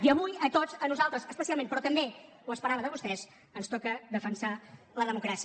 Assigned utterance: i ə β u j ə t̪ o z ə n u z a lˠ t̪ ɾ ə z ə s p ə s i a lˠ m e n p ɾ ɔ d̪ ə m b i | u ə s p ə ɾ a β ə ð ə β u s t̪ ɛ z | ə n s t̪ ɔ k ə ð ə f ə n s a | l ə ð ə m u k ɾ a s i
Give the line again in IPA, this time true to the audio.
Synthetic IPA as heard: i ə β u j ə t̪ o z ə n u z a lˠ t̪ ɾ ə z ə s p ə s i a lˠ m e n p ɾ ɔ t̪ ə m b e | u ə s p ə ɾ a β ə ð ə β u s t̪ ɛ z | ə n s t̪ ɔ k ə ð ə f ə n s a | l ə ð ə m u k ɾ a s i

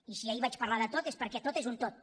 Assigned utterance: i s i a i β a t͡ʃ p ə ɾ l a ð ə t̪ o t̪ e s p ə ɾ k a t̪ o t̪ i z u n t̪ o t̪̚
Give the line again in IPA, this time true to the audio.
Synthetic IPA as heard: i s i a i β a t͡ʃ p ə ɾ l a ð ə t̪ o t̪ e s p ə ɾ k ɛ t̪ o t̪ e z u n t̪ o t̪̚

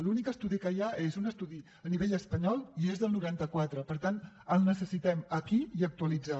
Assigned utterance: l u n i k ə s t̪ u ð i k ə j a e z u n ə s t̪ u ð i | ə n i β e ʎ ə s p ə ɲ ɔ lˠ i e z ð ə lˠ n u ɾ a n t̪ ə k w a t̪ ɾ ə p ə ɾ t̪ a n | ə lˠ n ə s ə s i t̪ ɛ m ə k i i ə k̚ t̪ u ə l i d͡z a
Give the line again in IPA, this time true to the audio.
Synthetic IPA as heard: l u n i k ə s t̪ u ð i k ə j a e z u n ə s t̪ u ð i | ə n i β e ʎ ə s p ə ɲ ɔ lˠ i e z ð ə lˠ n u ɾ a n t̪ ə k w a t̪ ɾ ə p ə ɾ t̪ a n | ə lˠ n ə s ə s i t̪ ɛ m ə k i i ə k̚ t̪ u ə l i d͡z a

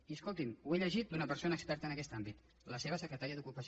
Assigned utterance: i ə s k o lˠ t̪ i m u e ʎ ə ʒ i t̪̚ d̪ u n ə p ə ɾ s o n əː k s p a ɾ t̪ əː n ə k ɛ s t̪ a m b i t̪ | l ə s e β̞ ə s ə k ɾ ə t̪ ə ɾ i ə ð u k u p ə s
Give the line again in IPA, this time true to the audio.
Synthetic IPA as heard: i ə s k o lˠ t̪ i m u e ʎ ə ʒ i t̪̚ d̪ u n ə p ə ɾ s o n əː k s p ɛ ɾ t̪ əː n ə k ɛ s t̪ a m b i t̪ | l ə s e β̞ ə s ə k ɾ ə t̪ a ɾ i ə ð u k u p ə s

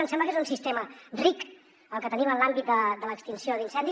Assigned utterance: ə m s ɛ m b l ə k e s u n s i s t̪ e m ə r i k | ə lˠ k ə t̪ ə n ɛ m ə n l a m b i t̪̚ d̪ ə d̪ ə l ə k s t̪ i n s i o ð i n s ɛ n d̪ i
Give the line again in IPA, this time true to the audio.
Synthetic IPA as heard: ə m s ɛ m b l ə k e z u n s i s t̪ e m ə r i k | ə lˠ k ə t̪ ə n i m ə n l a m b i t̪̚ d̪ ə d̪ ə l ə k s t̪ i n s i o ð i n s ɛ n d̪ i

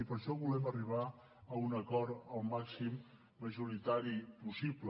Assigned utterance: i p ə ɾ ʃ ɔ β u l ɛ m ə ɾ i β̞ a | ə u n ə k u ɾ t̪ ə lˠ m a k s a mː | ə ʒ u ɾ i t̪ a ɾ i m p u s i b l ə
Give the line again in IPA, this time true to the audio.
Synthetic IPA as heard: i p ə ɾ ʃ ɔ β u l ɛ m ə r i β̞ a | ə u n ə k ɔ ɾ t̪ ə lˠ m a k s i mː | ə ʒ u ɾ i t̪ a ɾ i p u s i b l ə

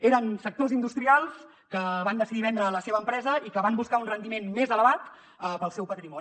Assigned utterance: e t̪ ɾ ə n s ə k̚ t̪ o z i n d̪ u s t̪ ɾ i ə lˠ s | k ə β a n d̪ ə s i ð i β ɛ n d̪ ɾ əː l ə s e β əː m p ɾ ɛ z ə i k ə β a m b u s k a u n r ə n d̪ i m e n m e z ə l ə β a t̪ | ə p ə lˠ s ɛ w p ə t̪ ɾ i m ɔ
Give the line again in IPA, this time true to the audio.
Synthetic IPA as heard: e ɾ ə n s ə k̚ t̪ o z i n d̪ u s t̪ ɾ i a lˠ s | k ə β a n d̪ ə s i ð i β ɛ n d̪ ɾ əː l ə s e β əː m p ɾ ɛ z ə i k ə β a m b u s k a u n r ə n d̪ i m e n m e z ə l ə β a t̪ | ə p ə lˠ s ɛ w p ə t̪ ɾ i m ɔ

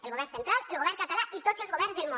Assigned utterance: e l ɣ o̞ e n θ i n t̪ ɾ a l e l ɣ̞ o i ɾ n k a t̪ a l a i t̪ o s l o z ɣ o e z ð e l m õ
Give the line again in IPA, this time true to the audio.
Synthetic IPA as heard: e l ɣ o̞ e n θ e n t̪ ɾ a l e l ɣ̞ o e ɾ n k a t̪ a l a i t̪ o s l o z ɣ o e z ð e l m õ

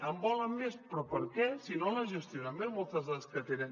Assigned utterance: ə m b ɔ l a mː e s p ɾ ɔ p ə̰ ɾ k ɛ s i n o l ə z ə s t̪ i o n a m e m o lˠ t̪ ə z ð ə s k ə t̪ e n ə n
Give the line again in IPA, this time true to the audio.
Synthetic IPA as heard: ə m b ɔ l ə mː e s p ɾ ɔ p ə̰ ɾ k ɛ s i n o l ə ʒ ə s t̪ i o n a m e m o lˠ t̪ ə z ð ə s k ə t̪ e n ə n

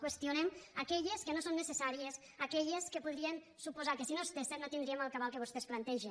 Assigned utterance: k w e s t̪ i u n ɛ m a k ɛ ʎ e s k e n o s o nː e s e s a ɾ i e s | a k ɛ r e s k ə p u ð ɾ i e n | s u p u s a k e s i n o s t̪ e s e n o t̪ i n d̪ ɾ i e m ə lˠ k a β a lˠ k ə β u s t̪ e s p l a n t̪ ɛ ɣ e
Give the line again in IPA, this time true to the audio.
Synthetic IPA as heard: k w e s t̪ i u n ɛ m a k ɛ ʎ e s k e n o s o nː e s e s a ɾ i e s | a k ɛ ʎ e s k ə p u ð ɾ i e n | s u p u z a k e s i n o s t̪ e s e n o t̪ i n d̪ ɾ i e m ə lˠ k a β a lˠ k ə β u s t̪ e s p l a n t̪ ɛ ʒ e

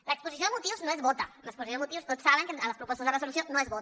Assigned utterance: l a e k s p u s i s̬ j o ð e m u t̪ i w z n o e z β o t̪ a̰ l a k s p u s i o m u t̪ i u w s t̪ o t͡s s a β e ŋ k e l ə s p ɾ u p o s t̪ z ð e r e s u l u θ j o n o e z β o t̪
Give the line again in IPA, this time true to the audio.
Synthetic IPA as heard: l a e k s p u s i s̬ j o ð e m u t̪ i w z n o e z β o t̪ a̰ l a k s p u s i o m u t̪ i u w s t̪ o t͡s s a β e ŋ k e l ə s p ɾ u p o s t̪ z ð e r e s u l u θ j o n o e z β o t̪

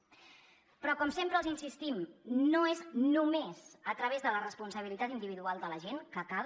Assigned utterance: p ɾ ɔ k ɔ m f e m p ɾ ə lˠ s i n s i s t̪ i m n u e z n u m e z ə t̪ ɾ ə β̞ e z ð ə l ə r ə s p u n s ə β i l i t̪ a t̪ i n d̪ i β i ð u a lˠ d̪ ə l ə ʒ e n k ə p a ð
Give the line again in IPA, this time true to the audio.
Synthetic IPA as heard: p ɾ ɔ k ɔ m s e m p ɾ ə lˠ z i n s i s t̪ i m n o e z n u m e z ə t̪ ɾ ə β̞ e z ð ə l ə r ə s p u n s ə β i l i t̪ a t̪ i n d̪ i β i ð u a lˠ d̪ ə l ə ʒ e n k ə k a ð

